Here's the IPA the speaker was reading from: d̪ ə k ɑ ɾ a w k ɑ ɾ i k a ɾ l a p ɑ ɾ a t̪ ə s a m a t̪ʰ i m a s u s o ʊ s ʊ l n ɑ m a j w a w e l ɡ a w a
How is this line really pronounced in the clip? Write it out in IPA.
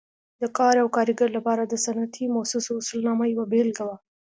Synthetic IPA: d̪ ə k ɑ ɾ a w k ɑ ɾ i ɡ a ɾ l a p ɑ ɾ a d̪ ə s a n a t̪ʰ i m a s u s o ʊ s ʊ l n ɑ m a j w a b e l ɡ a w a